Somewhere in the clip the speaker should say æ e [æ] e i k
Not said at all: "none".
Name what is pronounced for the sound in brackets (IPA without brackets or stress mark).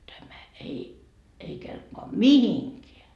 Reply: i